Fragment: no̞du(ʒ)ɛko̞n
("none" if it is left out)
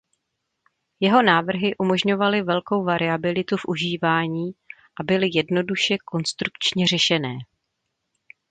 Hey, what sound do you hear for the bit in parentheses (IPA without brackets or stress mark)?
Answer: ʃ